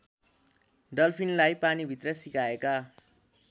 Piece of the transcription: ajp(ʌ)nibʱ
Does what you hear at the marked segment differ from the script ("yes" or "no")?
yes